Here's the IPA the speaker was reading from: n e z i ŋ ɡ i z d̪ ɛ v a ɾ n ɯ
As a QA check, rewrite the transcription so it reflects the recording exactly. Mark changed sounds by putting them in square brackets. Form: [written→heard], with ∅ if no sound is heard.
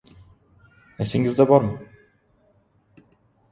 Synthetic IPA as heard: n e [z→s] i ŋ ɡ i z d̪ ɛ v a ɾ [n→m] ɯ

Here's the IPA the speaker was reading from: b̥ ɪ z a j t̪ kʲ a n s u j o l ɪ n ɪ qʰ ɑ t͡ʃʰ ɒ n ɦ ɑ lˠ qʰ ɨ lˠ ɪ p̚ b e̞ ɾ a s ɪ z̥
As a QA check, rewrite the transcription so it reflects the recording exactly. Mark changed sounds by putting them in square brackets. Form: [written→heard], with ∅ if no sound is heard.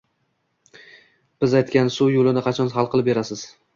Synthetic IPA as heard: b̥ ɪ z a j t̪ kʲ a n s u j o l ɪ n ɪ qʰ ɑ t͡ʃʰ ɒ n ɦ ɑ lˠ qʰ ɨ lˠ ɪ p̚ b e̞ ɾ a s ɪ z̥

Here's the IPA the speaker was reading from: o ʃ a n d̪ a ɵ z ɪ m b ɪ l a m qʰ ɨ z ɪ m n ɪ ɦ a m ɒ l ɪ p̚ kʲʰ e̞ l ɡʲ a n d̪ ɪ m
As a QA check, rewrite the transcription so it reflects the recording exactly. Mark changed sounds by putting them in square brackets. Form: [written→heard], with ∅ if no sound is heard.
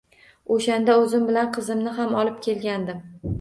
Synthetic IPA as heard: o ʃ a n d̪ a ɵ z ɪ m b ɪ l a [m→n] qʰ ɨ z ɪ m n ɪ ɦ a m ɒ l ɪ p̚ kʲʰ e̞ l ɡʲ a n d̪ ɪ m

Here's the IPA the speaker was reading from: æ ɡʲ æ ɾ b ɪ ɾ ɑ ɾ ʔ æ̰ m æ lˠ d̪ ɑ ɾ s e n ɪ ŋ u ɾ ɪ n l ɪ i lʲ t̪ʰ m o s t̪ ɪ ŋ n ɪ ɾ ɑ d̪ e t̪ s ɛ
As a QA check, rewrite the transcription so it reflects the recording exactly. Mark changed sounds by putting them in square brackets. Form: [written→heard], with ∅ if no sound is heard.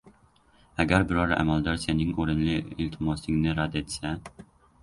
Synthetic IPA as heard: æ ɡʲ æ ɾ b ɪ ɾ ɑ ɾ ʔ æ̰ m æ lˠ d̪ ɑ ɾ s e n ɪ ŋ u ɾ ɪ n l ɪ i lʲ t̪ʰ m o s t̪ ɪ ŋ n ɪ ɾ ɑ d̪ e t̪ s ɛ

